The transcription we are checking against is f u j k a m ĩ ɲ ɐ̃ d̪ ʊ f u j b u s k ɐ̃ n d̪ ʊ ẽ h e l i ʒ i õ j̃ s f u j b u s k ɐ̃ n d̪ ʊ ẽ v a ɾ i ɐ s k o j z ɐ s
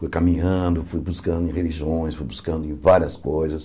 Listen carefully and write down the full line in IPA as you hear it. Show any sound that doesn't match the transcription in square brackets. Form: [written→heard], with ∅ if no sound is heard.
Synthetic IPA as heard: f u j k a m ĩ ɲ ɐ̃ d̪ ʊ f u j b u s k ɐ̃ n d̪ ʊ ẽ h e l i ʒ i õ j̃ s f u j b u s k ɐ̃ n d̪ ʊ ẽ v a ɾ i ɐ s k o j z ɐ s